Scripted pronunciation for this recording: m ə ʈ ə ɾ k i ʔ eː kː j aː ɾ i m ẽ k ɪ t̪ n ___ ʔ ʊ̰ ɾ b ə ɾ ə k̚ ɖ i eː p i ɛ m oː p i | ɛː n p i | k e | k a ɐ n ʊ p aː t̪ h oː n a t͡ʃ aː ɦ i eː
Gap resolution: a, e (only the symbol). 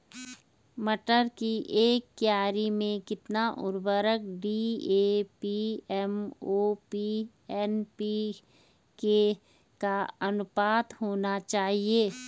a